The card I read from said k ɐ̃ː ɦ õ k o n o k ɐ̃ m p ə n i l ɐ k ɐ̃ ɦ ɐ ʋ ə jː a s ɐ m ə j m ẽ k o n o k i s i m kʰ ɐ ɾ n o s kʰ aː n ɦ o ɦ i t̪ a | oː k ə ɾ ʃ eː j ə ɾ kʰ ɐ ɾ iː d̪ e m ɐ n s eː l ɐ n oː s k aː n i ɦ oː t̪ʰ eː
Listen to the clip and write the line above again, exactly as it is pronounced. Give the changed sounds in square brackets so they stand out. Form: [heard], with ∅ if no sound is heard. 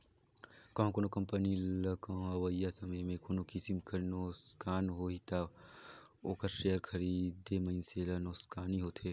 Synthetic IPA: k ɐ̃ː ɦ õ k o n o k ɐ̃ m p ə n i l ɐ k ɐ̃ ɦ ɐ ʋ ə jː a s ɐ m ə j m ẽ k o n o k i s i m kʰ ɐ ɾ n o s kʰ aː n ɦ o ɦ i t̪ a | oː k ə ɾ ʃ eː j ə ɾ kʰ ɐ ɾ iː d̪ e m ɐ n s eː l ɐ n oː s k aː n i ɦ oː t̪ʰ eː